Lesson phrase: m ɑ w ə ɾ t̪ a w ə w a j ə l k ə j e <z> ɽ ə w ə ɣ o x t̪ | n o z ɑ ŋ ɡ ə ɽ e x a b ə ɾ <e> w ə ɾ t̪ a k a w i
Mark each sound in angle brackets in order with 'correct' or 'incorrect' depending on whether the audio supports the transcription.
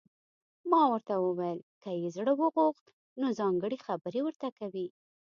correct, correct

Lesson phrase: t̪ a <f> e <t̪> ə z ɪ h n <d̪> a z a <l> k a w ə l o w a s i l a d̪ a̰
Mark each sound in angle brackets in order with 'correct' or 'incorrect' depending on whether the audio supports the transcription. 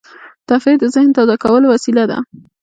correct, incorrect: d̪, incorrect: t̪, incorrect: none

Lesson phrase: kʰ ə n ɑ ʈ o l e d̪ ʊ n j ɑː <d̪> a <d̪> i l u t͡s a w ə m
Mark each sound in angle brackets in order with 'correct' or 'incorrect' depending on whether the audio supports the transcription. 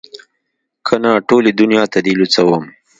incorrect: t̪, correct

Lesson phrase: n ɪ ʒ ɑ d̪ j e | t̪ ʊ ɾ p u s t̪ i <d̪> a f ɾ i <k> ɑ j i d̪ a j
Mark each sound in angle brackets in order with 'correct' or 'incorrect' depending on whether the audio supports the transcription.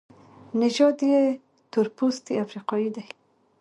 incorrect: none, incorrect: q

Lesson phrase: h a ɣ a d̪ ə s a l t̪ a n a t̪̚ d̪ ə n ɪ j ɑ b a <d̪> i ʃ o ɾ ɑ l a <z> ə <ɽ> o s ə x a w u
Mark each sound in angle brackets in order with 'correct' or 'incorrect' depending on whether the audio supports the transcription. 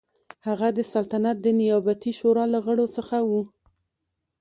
incorrect: t̪, incorrect: ɣ, correct

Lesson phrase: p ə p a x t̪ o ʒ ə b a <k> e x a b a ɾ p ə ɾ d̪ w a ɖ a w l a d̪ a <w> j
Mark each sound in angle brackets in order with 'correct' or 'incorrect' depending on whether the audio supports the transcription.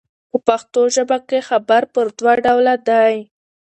correct, incorrect: none

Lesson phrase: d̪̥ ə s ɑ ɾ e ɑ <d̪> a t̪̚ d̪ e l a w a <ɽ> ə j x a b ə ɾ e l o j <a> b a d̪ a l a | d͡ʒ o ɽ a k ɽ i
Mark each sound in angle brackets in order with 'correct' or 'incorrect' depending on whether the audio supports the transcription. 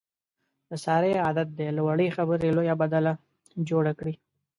correct, correct, correct

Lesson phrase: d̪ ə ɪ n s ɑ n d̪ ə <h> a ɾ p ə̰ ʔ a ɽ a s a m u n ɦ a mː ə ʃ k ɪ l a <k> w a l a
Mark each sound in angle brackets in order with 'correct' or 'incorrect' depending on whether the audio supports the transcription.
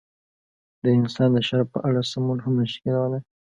incorrect: ʃ, incorrect: none

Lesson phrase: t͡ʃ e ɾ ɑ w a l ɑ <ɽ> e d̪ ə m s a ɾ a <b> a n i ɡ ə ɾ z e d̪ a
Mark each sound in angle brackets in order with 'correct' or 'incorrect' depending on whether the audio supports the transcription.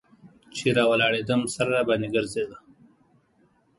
correct, correct

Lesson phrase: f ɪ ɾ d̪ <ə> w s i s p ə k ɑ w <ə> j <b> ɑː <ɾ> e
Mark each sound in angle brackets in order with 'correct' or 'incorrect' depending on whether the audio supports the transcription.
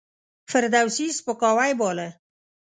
incorrect: a, incorrect: a, correct, incorrect: l

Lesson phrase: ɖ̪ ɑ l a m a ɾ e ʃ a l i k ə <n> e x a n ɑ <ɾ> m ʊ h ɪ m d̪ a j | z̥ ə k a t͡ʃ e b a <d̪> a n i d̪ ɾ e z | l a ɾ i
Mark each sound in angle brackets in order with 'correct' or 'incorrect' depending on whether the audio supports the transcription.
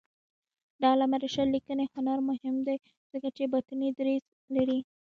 correct, correct, incorrect: t̪

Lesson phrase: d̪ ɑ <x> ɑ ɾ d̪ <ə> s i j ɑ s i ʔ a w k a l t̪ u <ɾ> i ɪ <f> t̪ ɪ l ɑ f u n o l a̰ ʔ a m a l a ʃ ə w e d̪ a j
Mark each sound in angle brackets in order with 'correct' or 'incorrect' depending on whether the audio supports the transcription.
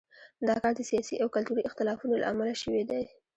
incorrect: k, correct, correct, incorrect: x

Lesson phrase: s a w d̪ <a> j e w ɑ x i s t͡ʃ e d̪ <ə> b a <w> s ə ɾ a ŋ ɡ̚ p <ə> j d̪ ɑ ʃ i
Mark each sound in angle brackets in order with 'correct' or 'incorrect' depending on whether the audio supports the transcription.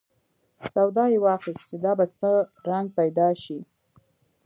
incorrect: ɑ, incorrect: ɑ, incorrect: none, incorrect: a

